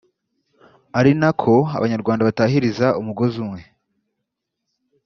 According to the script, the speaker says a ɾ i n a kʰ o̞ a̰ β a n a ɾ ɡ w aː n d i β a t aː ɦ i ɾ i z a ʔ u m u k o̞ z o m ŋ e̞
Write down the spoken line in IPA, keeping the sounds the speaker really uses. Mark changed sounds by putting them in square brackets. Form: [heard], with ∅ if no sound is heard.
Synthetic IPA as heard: a ɾ i n a kʰ o̞ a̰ β a [ɲ] a ɾ ɡ w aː n d [a] β a t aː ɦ i ɾ i z a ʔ u m u [ɡ] o̞ z [u] m ŋ e̞